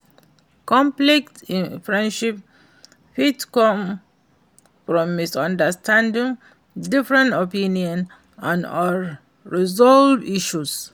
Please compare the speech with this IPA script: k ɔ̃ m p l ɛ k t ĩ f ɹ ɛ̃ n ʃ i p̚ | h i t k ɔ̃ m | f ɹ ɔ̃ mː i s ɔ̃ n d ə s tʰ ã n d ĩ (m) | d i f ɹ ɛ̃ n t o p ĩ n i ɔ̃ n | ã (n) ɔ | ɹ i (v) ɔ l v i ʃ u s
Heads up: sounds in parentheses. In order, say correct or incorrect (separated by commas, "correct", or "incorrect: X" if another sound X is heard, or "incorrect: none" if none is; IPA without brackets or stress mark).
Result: incorrect: ŋ, correct, incorrect: z